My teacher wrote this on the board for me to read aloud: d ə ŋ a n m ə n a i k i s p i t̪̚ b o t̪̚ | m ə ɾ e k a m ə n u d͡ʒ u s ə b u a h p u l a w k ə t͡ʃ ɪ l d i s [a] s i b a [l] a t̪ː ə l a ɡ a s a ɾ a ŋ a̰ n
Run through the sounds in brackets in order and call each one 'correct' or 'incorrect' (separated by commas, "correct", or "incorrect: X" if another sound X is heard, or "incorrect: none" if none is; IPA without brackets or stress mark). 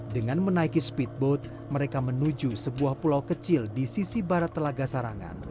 incorrect: i, incorrect: ɾ